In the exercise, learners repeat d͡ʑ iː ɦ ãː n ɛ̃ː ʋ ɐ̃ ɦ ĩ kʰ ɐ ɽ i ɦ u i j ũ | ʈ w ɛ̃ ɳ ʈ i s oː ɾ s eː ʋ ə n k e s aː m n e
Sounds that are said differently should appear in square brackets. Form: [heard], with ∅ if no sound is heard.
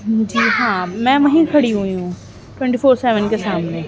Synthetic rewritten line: d͡ʑ iː ɦ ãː [m] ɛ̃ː ʋ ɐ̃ ɦ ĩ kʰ ɐ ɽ i ɦ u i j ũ | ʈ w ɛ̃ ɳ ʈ i [f] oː ɾ s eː ʋ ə n k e s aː m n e